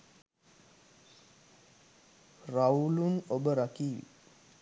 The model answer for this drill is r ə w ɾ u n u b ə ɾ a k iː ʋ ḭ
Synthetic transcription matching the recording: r a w l u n o b ə ɾ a k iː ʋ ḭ